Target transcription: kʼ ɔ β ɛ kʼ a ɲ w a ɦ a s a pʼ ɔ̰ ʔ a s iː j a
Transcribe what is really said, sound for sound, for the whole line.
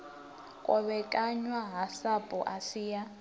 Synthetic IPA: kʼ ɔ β ɛ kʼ a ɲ w a ɦ a s a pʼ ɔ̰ ʔ a s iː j a